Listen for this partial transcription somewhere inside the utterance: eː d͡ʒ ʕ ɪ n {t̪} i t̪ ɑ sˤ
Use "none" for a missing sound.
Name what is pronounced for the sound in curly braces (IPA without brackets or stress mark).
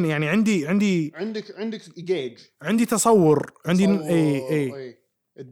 d̪